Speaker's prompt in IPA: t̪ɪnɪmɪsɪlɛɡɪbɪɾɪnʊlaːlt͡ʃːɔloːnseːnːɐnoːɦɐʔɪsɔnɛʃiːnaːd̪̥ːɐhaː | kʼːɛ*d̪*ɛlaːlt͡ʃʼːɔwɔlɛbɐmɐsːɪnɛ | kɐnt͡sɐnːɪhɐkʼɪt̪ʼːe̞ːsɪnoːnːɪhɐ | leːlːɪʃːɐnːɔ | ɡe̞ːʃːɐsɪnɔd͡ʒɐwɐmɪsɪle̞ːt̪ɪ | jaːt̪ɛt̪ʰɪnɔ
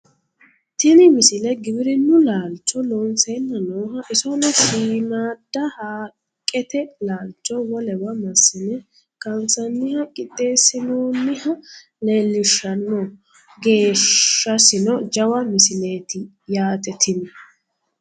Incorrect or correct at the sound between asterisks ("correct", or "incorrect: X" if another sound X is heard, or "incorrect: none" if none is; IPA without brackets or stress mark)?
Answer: incorrect: t̪